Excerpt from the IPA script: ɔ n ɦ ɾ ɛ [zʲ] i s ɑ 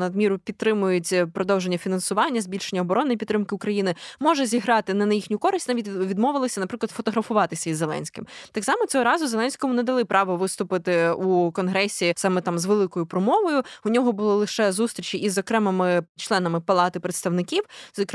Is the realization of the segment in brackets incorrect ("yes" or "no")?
yes